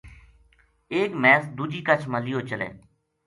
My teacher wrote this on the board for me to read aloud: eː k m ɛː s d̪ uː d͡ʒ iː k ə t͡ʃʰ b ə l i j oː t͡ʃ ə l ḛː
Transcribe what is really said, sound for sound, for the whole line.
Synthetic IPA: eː k m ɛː s d̪ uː d͡ʒ iː k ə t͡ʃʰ m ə l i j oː t͡ʃ ə l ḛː